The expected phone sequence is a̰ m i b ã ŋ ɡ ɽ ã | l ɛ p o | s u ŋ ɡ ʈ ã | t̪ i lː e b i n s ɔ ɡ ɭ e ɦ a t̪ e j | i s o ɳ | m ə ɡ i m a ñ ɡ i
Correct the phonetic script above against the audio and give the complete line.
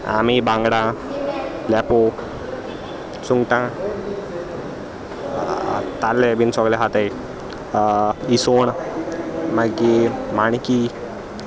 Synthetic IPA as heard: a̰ m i b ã ŋ ɡ ɽ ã | l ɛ p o | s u ŋ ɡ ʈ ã | t̪ a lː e b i n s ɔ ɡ l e ɦ a t̪ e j | i s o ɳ | m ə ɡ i m a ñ k i